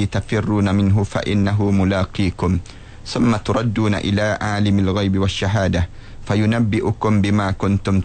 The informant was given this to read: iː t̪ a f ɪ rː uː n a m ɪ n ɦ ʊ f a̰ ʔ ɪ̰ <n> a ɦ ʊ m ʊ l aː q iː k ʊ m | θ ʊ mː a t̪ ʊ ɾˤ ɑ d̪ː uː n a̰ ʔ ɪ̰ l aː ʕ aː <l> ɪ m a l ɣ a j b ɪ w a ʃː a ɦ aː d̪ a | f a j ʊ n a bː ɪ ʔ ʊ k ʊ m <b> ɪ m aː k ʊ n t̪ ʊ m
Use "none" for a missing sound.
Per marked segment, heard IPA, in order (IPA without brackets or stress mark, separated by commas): nː, l, b